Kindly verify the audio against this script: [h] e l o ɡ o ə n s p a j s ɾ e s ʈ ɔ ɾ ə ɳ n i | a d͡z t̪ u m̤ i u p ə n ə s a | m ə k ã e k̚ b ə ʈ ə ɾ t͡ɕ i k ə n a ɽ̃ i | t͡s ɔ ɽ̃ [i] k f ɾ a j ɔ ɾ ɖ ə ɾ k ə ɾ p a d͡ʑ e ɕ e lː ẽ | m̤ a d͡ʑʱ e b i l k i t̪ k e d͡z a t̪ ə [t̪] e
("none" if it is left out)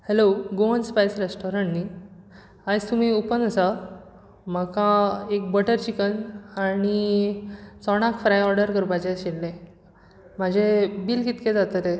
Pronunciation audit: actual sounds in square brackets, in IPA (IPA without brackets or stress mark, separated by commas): h, a, t̪